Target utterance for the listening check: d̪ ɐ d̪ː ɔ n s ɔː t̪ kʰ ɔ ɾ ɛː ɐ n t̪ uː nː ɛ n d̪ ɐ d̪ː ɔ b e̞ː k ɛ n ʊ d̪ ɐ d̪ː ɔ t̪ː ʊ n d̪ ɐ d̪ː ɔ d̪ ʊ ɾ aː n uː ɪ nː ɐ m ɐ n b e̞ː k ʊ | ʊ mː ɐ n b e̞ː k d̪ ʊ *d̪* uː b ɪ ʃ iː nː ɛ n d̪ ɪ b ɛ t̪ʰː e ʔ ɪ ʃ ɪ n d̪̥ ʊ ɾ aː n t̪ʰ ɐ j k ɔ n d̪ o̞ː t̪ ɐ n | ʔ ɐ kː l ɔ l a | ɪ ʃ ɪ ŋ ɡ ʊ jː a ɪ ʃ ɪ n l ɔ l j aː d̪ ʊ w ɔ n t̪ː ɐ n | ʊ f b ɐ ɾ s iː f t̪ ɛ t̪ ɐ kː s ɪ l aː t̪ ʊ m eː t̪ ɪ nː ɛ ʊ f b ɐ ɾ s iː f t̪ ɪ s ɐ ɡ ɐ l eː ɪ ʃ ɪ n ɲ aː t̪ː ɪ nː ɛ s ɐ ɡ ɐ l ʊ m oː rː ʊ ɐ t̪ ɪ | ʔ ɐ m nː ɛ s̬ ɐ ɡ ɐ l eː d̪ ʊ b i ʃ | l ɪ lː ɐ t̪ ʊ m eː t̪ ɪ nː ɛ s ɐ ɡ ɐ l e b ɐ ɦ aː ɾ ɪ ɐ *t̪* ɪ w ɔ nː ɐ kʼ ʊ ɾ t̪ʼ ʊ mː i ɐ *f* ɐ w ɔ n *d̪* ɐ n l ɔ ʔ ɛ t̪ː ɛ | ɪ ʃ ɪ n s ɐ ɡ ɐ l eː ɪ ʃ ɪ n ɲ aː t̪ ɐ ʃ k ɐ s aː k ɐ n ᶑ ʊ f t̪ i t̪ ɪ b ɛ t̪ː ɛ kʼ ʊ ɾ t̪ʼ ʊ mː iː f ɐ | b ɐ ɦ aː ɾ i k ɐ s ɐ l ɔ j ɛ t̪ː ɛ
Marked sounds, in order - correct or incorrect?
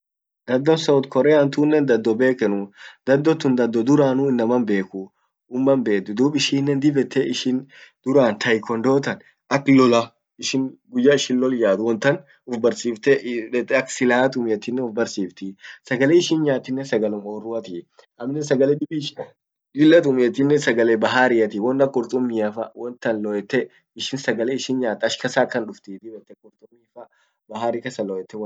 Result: correct, correct, correct, incorrect: t̪

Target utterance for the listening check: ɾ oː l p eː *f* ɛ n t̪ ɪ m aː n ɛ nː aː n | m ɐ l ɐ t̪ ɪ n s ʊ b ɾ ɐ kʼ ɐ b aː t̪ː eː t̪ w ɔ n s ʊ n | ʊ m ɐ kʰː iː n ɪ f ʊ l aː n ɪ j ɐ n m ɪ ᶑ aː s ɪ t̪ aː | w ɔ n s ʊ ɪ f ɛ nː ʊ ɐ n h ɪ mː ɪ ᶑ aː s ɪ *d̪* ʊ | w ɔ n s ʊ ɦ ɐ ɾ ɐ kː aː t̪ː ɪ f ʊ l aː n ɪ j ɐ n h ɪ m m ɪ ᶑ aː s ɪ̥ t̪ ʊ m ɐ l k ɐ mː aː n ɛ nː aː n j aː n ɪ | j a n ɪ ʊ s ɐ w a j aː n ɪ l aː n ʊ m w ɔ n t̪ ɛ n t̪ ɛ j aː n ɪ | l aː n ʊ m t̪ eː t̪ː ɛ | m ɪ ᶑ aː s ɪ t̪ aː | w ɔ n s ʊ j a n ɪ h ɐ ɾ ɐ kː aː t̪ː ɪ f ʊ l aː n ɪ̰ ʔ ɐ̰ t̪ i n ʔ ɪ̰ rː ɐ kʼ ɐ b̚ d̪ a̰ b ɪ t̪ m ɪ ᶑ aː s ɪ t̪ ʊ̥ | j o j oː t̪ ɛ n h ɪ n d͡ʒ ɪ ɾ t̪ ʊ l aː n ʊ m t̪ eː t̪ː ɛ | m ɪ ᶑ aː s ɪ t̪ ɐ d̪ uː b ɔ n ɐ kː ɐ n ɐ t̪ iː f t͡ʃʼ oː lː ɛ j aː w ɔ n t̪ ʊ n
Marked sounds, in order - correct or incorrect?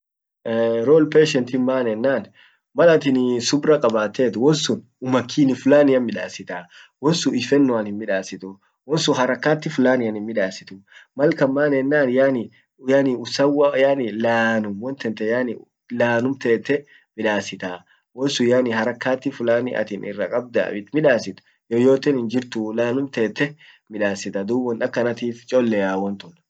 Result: incorrect: ʃ, incorrect: t̪

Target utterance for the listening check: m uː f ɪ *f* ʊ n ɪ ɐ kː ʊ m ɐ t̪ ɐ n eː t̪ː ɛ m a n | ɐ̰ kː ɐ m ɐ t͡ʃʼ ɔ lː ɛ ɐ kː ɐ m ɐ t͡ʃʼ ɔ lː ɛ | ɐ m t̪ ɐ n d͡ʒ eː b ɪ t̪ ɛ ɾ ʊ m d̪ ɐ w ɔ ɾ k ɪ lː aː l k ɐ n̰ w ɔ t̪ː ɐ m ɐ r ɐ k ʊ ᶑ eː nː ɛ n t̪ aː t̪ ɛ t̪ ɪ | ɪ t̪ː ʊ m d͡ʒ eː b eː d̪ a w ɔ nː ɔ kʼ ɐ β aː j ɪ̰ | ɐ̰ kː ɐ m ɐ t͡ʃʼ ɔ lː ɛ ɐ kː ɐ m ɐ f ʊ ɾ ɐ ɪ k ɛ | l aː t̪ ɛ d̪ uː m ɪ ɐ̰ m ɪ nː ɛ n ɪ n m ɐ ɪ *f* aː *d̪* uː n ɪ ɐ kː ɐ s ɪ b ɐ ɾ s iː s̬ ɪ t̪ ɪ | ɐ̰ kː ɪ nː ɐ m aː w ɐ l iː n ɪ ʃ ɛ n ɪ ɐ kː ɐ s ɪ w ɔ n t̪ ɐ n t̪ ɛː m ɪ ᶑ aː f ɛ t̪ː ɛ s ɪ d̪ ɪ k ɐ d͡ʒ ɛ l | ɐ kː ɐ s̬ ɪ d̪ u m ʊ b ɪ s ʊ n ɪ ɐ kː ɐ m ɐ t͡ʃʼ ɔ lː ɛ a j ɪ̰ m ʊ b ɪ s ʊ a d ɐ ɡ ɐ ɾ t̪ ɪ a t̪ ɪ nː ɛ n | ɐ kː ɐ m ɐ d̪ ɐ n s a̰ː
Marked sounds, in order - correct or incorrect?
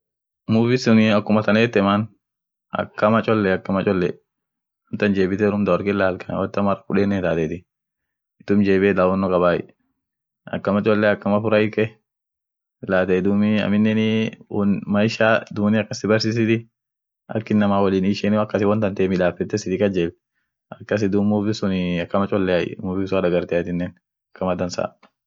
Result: incorrect: s, incorrect: ʃ, correct

